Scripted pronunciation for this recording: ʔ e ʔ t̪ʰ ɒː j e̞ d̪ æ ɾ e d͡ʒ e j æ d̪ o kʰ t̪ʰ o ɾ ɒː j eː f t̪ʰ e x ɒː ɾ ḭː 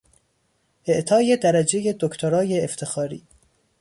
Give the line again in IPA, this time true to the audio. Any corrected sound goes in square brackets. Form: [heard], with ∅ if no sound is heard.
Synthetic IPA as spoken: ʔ e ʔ t̪ʰ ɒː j e̞ d̪ æ ɾ [æ] d͡ʒ e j [e] d̪ o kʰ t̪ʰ o ɾ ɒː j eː f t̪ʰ e x ɒː ɾ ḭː